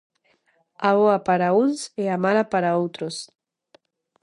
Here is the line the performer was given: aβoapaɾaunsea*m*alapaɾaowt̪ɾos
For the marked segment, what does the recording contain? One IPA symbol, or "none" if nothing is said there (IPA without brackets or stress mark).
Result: m